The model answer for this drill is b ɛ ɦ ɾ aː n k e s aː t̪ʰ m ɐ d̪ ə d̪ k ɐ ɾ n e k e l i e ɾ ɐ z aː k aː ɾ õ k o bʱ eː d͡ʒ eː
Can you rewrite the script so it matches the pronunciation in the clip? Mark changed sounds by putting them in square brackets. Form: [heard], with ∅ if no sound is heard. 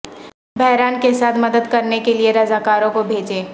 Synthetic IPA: b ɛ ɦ ɾ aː n k e s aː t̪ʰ m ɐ d̪ ə d̪ k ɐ ɾ n e k e l i e ɾ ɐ z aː k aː ɾ õ k o bʱ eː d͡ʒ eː